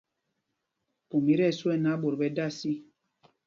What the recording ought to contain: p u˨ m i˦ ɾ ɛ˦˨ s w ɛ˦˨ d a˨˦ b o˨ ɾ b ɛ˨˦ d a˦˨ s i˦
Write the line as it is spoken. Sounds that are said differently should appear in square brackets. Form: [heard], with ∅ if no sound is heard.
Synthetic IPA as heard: p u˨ m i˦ ɾ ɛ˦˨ s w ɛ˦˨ [n] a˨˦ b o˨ ɾ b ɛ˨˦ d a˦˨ s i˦